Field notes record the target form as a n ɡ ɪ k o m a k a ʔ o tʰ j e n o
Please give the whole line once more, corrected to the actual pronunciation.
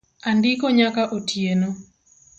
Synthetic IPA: a n d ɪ k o ɲ a k a ʔ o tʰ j e n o